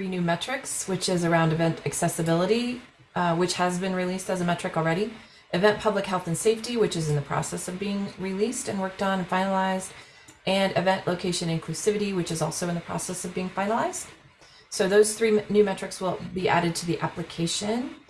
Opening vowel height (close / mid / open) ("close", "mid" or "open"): close